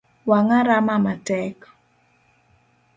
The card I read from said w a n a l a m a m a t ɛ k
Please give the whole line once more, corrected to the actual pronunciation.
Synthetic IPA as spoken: w a ŋ a ɾ a m a m a t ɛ k